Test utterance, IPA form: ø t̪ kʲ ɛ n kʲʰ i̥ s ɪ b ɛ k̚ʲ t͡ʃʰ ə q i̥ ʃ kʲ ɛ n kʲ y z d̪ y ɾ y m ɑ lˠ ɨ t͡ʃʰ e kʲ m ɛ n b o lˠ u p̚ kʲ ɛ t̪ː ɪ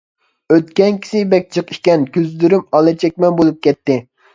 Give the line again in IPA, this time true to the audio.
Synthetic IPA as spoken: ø t̪ kʲ ɛ n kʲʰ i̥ s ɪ b ɛ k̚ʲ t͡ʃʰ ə q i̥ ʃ kʲ ɛ n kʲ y z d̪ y ɾ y m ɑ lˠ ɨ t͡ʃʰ ɛ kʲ m ɛ n b o lˠ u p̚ kʲ ɛ t̪ː ɪ